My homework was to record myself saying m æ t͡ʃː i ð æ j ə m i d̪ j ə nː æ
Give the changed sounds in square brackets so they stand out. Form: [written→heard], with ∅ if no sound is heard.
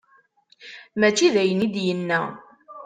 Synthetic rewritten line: m æ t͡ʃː i ð æ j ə [m→n] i d̪ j ə nː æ